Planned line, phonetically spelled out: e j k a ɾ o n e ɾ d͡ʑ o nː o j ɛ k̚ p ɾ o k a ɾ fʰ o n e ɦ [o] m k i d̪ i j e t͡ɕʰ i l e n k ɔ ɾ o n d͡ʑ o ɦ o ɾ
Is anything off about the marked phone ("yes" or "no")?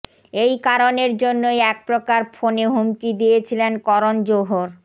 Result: yes